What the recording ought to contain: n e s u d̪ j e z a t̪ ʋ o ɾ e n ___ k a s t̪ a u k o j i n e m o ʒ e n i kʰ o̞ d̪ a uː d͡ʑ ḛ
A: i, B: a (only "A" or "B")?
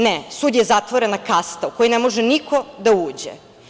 B